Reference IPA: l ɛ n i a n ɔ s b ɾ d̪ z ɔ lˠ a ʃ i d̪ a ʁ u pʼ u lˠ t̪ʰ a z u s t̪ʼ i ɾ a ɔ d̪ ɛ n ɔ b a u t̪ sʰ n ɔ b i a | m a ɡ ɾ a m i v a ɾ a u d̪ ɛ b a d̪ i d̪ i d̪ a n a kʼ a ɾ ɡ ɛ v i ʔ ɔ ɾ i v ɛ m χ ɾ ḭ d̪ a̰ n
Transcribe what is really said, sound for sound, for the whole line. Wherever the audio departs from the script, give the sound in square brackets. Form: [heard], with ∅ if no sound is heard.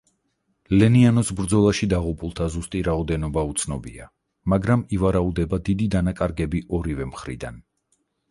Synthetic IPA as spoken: l ɛ n i a n ɔ s b ɾ d̪ z ɔ lˠ a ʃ i d̪ a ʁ u pʼ u lˠ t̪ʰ a z u s t̪ʼ i ɾ a ɔ d̪ ɛ n ɔ b a u t̪ sʰ n ɔ b i a | m a ɡ ɾ a m i v a ɾ a u d̪ ɛ b a d̪ i d̪ i d̪ a n a kʼ a ɾ ɡ ɛ [b] i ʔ ɔ ɾ i v ɛ m χ ɾ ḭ d̪ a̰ n

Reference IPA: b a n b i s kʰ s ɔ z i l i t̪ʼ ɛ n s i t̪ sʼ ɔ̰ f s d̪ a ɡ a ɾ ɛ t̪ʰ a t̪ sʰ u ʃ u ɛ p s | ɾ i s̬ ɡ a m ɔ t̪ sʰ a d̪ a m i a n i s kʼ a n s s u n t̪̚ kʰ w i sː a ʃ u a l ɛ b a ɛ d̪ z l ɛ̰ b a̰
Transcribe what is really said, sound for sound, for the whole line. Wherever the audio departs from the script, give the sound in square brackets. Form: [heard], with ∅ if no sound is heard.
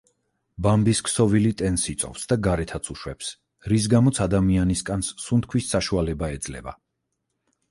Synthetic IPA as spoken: b a [m] b i s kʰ s ɔ [v] i l i t̪ʼ ɛ n s i t̪ sʼ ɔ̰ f s d̪ a ɡ a ɾ ɛ t̪ʰ a t̪ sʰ u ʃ [w] ɛ p s | ɾ i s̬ ɡ a m ɔ t̪ sʰ a d̪ a m i a n i s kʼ a n s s u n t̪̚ kʰ w i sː a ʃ u a l ɛ b a ɛ d̪ z l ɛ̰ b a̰

